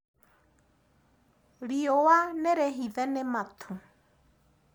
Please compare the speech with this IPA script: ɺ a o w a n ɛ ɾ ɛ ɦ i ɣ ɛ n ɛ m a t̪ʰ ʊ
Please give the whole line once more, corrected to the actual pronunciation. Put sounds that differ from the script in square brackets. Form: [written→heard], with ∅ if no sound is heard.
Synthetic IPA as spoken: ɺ [a→i] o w a n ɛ ɾ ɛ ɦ i [ɣ→ð] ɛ n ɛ m a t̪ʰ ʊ